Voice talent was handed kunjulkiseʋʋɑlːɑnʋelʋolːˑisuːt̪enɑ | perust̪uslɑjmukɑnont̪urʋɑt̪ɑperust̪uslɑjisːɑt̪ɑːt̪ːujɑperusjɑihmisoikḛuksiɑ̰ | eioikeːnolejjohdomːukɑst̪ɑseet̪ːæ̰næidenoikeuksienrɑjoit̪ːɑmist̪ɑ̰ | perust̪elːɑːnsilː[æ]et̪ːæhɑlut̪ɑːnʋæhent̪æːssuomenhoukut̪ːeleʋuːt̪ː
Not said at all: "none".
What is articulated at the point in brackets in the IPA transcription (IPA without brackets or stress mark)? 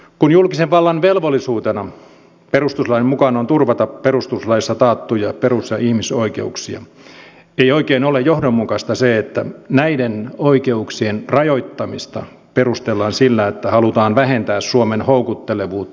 æ